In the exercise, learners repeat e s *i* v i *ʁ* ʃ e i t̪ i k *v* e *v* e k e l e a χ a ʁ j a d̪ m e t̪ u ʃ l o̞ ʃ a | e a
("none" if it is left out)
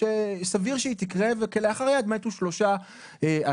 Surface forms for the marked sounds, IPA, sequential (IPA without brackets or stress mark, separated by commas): a, ʁ, ʁ, v